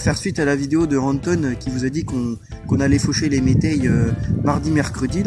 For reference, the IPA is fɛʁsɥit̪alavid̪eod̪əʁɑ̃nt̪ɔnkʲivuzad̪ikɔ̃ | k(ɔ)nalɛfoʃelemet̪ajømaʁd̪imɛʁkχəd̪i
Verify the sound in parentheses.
incorrect: ɔ̃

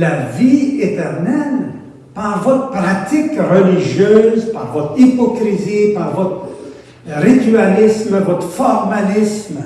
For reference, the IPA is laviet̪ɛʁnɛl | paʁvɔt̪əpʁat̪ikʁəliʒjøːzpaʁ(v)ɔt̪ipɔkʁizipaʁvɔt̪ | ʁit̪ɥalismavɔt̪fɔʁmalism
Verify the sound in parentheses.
correct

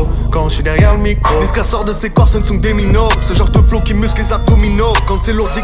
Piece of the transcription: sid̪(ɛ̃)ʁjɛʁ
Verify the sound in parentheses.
incorrect: ɛ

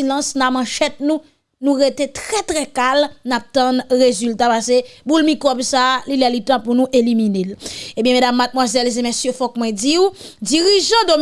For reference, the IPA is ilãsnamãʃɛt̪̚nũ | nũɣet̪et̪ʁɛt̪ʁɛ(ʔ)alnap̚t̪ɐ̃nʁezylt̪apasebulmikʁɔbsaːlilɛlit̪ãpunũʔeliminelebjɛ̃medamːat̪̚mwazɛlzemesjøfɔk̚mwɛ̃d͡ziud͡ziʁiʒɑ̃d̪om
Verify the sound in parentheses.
incorrect: k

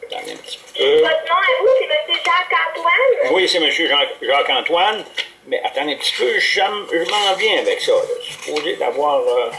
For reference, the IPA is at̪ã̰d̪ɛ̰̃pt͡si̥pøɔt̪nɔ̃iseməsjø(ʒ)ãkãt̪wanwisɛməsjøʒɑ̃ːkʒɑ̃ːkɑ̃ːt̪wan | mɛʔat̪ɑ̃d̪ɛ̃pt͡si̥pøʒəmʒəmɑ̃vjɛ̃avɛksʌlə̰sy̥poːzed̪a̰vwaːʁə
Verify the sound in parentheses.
correct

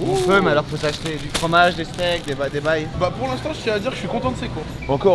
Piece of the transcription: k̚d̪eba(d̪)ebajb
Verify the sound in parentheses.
correct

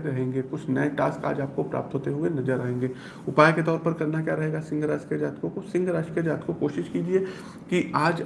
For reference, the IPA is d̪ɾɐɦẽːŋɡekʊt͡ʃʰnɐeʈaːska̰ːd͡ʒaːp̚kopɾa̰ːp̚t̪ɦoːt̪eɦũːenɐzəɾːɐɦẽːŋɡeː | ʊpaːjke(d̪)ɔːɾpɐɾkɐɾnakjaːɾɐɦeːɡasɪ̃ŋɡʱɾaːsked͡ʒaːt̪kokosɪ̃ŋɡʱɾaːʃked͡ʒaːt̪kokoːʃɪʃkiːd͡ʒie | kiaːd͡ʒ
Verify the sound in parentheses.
incorrect: t̪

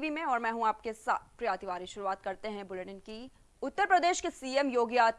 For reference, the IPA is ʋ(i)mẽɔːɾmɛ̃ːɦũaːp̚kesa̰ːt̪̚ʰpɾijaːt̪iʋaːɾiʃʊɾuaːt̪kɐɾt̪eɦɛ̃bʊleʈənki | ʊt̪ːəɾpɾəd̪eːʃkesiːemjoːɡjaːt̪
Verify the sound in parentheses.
correct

